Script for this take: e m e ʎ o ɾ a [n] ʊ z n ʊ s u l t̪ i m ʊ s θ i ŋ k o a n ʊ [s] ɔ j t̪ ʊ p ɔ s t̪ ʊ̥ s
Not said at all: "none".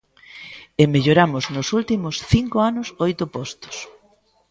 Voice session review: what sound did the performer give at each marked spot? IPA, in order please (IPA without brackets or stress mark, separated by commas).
m, s